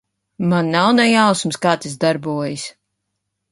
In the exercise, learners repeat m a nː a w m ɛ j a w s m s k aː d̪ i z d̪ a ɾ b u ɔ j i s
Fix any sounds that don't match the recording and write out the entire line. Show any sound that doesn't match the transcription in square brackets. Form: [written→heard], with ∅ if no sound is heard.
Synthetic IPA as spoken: m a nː a w [m→n] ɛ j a w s m s k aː [d̪→t̪] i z d̪ a ɾ b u ɔ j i s